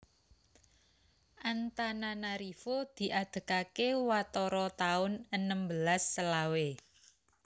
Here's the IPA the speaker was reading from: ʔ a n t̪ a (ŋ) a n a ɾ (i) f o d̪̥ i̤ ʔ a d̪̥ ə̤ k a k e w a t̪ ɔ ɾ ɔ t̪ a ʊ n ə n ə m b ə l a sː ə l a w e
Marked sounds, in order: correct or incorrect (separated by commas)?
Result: incorrect, correct